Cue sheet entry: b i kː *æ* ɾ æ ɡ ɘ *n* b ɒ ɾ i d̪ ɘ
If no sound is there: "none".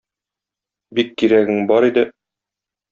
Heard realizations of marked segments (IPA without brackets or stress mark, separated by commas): i, ŋ